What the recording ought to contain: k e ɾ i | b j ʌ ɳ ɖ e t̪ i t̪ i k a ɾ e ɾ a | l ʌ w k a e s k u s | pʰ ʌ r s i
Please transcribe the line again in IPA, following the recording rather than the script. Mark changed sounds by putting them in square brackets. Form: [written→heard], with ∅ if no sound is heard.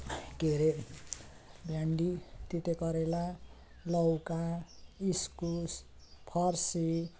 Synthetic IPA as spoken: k e ɾ [i→e] | b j [ʌ→a] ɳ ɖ [e→i] t̪ i t̪ [i→e] k [a→ʌ] ɾ e [ɾ→l] a | l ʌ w k a [e→i] s k u s | pʰ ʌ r s i